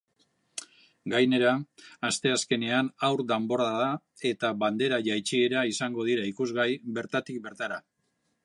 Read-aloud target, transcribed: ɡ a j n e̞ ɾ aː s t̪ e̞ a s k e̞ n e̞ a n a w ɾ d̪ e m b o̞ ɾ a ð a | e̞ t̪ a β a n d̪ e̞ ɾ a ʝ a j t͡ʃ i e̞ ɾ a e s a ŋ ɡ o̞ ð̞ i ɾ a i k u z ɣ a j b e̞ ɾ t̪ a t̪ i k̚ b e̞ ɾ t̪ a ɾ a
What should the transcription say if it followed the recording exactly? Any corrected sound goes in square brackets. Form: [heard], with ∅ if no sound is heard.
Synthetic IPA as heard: ɡ a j n e̞ ɾ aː s t̪ e̞ a s k e̞ n e̞ a n a w ɾ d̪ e m b o̞ ɾ a ð a | e̞ t̪ a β a n d̪ e̞ ɾ a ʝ a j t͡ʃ i e̞ ɾ a [i] s a ŋ ɡ o̞ ð̞ i ɾ a i k u z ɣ a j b e̞ ɾ t̪ a t̪ i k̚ b e̞ ɾ t̪ a ɾ a